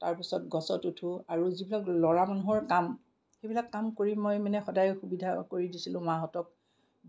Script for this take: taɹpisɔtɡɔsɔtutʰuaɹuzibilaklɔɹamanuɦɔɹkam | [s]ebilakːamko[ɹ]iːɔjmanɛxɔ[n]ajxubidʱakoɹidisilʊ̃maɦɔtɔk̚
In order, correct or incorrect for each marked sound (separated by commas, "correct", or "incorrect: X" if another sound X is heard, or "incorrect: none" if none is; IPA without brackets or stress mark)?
incorrect: x, correct, incorrect: d